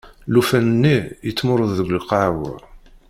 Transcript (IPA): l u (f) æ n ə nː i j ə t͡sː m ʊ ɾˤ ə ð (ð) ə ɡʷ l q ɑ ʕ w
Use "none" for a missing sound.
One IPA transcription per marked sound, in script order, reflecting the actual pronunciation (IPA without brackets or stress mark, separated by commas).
f, ð